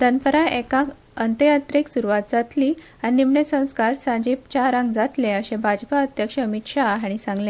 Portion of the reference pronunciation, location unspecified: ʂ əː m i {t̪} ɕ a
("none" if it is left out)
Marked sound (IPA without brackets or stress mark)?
t̪